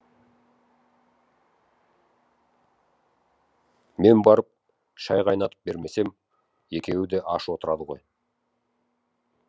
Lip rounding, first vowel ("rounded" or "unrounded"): unrounded